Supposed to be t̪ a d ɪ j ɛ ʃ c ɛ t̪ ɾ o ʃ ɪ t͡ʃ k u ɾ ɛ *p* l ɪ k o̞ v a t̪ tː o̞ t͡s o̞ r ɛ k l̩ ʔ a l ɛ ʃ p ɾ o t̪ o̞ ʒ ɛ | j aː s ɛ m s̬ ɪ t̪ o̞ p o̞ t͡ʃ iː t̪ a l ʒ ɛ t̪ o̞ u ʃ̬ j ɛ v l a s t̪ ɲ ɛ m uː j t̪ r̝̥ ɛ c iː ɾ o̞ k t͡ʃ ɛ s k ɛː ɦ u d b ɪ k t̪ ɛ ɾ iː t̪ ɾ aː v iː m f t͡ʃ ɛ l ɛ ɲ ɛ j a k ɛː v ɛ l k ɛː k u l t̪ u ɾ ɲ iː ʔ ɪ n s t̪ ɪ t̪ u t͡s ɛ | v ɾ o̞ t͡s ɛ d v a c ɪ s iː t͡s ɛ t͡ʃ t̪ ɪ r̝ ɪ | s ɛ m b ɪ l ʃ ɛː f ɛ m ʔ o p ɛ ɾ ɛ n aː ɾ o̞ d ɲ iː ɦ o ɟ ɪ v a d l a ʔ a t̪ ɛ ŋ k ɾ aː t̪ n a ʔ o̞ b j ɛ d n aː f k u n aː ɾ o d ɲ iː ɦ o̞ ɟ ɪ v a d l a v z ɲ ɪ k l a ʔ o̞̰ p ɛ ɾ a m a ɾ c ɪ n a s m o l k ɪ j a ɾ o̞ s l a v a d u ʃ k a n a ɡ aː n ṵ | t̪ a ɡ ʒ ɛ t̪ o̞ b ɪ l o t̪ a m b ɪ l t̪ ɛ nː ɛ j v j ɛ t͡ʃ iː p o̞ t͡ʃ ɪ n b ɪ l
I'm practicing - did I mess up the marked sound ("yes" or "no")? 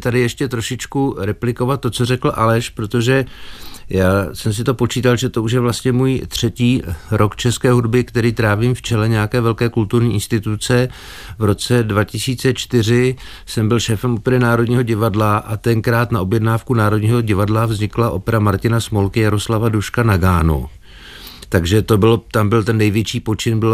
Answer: no